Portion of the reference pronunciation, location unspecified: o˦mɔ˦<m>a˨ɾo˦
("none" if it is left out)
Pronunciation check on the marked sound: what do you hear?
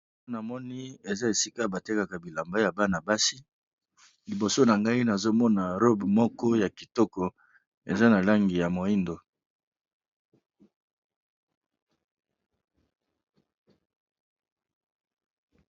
n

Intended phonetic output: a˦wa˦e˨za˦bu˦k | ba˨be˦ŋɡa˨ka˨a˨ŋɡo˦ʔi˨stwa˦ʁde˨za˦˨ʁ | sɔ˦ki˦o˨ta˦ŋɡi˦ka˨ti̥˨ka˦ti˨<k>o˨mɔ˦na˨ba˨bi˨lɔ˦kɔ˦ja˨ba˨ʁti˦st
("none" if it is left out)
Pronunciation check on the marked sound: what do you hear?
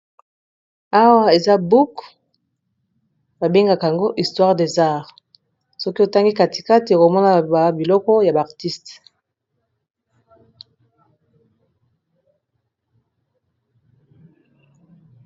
k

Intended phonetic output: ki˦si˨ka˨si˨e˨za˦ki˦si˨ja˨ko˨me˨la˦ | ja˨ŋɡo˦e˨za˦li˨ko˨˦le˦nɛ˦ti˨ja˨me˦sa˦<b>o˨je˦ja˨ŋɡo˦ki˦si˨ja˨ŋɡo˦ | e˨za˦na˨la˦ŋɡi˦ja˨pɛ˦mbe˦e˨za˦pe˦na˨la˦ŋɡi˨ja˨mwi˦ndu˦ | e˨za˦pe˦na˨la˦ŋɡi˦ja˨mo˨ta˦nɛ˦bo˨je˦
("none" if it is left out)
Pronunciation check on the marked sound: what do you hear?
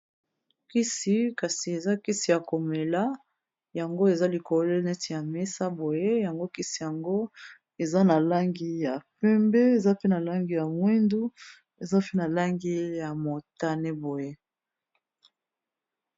b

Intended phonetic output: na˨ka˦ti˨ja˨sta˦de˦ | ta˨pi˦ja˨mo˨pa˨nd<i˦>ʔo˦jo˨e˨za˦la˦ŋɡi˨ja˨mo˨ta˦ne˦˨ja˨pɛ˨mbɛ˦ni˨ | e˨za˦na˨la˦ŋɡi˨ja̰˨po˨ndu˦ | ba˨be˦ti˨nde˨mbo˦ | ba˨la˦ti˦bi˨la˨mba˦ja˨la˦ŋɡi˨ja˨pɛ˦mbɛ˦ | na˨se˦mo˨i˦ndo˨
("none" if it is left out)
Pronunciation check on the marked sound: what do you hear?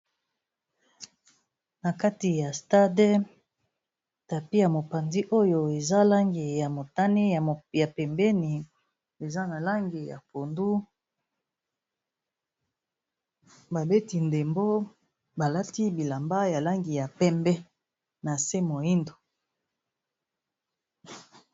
i˦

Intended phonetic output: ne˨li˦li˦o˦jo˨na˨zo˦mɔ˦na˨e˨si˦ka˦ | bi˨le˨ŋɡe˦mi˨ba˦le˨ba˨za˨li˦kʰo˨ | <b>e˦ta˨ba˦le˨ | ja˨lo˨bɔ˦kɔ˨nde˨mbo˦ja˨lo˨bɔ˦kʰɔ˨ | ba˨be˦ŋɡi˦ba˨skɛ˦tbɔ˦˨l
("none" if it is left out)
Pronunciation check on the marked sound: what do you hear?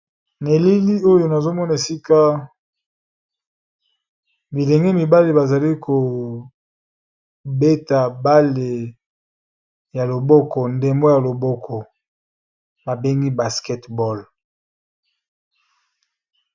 b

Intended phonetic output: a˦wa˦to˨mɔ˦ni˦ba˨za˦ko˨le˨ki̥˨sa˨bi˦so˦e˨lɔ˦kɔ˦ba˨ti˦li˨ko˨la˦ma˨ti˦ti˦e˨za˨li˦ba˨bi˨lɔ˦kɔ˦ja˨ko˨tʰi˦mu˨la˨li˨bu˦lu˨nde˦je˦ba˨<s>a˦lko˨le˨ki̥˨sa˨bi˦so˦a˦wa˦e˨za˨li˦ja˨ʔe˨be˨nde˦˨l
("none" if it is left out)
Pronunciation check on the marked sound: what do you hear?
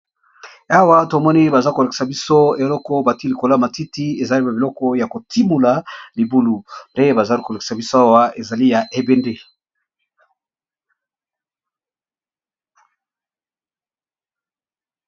z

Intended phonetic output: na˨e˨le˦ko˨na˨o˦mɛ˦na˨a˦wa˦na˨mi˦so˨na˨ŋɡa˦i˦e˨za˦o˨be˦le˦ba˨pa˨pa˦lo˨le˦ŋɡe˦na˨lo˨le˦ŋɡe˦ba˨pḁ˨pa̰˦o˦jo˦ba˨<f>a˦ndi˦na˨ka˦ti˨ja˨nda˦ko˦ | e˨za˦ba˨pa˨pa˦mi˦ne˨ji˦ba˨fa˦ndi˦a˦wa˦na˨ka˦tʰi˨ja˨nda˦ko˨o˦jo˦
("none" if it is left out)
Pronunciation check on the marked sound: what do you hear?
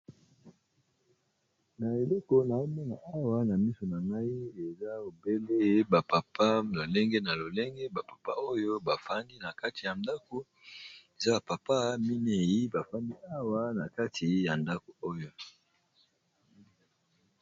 f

